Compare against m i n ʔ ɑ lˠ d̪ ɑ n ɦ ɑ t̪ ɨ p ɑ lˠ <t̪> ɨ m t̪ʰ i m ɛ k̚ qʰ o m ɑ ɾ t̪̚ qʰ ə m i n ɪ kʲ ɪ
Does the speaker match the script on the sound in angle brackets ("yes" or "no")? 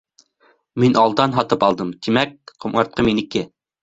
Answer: no